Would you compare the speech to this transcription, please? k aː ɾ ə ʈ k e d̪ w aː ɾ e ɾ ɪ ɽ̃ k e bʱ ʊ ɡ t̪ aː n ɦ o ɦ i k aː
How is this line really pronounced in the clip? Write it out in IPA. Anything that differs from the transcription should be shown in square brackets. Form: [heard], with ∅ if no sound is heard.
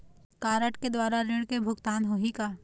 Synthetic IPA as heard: k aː ɾ ə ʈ k e d̪ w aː ɾ [a] ɾ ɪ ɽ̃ k e bʱ ʊ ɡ t̪ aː n ɦ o ɦ i k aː